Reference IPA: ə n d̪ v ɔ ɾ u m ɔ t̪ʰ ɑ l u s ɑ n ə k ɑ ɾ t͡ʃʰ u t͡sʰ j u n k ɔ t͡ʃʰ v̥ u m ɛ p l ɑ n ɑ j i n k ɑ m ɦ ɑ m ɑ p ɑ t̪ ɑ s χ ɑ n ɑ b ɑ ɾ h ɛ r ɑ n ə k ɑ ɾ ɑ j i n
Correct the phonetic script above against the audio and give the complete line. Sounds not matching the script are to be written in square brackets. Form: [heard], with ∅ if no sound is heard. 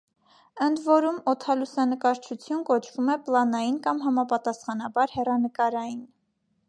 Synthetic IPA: ə n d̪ v ɔ ɾ u m ɔ t̪ʰ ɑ l u s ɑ n ə k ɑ ɾ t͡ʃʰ u t͡sʰ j u n k ɔ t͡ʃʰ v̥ u m ɛ p l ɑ n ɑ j i n k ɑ m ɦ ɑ m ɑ p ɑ t̪ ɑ s χ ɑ n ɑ b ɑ ɾ h ɛ r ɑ n ə k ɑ ɾ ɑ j i n